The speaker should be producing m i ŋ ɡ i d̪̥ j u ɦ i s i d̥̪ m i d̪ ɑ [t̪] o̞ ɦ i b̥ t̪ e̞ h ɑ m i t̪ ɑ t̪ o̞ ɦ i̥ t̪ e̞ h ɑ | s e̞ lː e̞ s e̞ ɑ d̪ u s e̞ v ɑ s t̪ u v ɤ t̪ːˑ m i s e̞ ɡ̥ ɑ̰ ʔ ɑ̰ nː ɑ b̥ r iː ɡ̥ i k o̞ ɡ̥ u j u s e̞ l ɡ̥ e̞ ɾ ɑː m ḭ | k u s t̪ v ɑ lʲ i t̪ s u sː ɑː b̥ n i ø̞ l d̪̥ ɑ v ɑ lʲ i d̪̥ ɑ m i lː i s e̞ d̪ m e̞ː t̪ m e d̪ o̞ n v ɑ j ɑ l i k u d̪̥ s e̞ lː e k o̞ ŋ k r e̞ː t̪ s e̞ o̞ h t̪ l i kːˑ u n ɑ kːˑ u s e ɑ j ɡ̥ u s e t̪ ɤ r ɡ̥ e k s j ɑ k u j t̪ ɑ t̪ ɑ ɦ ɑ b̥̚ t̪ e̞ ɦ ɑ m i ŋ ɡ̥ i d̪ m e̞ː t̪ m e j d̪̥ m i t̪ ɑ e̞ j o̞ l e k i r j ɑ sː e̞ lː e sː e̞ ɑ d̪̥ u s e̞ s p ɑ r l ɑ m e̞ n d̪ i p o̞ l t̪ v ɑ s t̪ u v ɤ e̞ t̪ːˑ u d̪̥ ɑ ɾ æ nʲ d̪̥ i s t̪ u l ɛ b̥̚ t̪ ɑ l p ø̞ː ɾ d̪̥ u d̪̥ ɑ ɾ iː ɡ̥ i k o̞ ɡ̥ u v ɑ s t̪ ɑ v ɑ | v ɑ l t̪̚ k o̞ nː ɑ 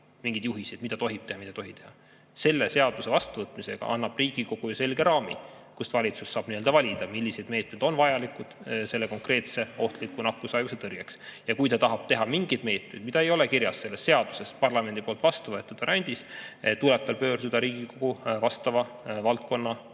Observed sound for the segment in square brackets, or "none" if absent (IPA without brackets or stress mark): t̪